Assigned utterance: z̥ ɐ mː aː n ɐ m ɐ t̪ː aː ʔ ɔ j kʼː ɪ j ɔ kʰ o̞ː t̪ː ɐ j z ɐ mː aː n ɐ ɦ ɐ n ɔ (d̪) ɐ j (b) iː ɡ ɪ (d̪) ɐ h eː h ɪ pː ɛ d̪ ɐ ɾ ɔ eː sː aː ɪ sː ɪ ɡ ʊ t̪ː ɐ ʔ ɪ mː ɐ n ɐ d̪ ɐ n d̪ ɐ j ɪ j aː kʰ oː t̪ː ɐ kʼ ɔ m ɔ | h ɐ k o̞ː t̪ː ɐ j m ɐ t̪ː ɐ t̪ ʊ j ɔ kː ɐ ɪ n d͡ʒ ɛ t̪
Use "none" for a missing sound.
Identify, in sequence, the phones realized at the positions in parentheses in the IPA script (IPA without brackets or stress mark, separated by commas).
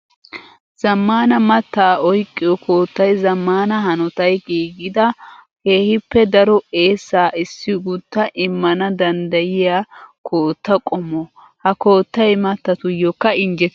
t̪, ɡ, d̪